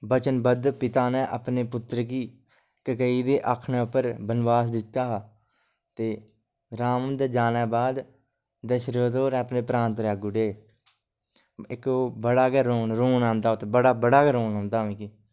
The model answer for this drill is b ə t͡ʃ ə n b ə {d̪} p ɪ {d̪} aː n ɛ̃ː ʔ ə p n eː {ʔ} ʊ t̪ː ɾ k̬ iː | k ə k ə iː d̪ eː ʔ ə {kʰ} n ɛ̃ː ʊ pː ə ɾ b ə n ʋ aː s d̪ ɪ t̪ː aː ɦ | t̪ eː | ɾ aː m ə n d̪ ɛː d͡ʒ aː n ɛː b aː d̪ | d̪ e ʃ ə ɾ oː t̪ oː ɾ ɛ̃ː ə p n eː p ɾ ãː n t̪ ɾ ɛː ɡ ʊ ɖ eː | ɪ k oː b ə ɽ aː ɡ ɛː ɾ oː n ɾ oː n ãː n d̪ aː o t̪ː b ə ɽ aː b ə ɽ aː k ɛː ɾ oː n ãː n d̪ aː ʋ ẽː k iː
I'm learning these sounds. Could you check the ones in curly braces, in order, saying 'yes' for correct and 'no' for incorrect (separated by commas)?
yes, no, no, yes